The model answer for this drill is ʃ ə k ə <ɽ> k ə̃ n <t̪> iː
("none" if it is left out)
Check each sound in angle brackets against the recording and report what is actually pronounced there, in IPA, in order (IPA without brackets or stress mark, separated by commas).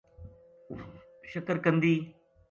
ɾ, d̪